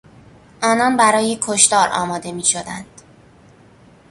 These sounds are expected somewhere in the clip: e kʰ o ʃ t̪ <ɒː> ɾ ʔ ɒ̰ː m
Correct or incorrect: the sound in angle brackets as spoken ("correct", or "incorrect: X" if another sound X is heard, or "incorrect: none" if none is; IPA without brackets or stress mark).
correct